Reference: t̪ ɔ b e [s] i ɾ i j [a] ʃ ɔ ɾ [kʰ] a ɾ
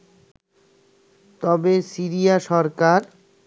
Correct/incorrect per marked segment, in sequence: correct, correct, incorrect

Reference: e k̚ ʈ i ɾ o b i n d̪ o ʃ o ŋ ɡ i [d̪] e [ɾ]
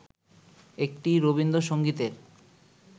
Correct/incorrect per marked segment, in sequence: incorrect, correct

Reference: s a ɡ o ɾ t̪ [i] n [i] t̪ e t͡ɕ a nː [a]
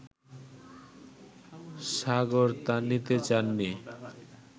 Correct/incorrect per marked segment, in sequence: incorrect, correct, incorrect

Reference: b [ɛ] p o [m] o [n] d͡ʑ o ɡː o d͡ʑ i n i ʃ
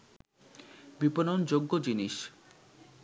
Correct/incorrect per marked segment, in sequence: incorrect, incorrect, correct

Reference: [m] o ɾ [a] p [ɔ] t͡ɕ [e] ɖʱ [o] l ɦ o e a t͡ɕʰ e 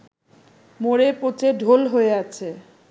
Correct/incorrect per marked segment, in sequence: correct, incorrect, incorrect, correct, correct

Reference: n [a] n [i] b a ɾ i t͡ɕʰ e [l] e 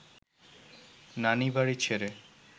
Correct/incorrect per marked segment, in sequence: correct, correct, incorrect

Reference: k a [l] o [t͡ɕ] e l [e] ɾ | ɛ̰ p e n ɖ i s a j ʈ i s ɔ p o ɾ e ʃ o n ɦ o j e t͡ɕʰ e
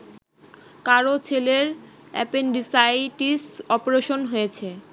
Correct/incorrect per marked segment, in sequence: incorrect, incorrect, correct

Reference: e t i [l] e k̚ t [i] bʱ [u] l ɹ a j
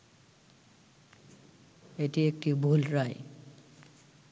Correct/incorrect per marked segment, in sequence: incorrect, correct, correct

